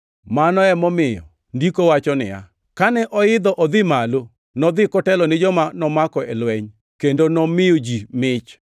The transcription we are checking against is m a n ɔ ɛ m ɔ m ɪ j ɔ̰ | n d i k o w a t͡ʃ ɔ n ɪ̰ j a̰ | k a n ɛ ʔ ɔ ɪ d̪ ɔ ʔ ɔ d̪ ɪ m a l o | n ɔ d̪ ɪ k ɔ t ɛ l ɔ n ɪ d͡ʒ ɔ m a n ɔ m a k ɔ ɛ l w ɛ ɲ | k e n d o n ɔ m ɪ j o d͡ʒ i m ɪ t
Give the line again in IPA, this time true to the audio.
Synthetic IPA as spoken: m a n ɔ ɛ m ɔ m ɪ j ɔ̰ | n d i k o w a t͡ʃ ɔ n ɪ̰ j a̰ | k a n ɛ ʔ ɔ ɪ d̪ ɔ ʔ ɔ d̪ ɪ m a l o | n ɔ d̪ ɪ k ɔ t ɛ l ɔ n ɪ d͡ʒ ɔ m a n ɔ m a k ɔ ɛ l w ɛ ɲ | k e n d o n ɔ m ɪ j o d͡ʒ i m ɪ t͡ʃ